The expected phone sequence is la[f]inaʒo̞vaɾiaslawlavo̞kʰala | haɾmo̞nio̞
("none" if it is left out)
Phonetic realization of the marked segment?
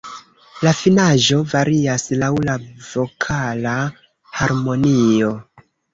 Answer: f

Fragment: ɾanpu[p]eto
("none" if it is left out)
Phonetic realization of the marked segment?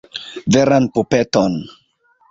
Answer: p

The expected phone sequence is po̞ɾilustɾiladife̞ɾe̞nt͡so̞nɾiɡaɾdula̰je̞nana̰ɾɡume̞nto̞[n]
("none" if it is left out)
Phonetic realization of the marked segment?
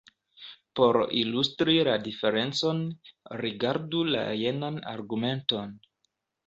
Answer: n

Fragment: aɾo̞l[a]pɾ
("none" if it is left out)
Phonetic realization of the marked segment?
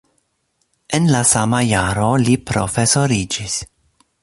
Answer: i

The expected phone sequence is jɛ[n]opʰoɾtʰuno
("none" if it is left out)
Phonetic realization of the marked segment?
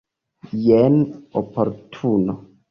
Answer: n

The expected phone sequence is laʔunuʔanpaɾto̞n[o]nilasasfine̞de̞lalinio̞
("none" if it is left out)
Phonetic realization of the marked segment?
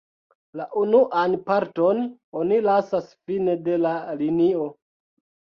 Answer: o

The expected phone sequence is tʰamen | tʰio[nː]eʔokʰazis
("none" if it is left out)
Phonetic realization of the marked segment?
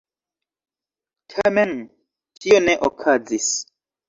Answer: n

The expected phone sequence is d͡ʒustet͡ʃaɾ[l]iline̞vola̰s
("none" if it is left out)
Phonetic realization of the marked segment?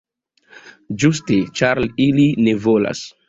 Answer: l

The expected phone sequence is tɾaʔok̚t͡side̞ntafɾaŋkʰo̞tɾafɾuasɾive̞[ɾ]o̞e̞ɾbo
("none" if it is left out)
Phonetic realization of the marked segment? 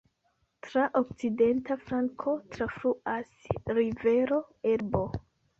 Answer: ɾ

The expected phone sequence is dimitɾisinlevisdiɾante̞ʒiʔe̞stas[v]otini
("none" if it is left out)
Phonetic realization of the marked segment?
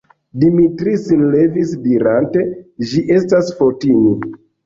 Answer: f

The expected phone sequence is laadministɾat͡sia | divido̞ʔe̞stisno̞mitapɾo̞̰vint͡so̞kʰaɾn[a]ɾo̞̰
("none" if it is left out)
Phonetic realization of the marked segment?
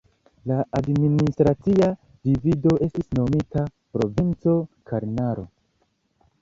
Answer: a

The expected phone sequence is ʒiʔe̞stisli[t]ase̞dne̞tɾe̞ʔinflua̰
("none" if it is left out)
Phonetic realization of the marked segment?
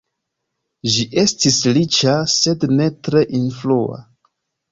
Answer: t͡ʃ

